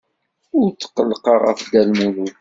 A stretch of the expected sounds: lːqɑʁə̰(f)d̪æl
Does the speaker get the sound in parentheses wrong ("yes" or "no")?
no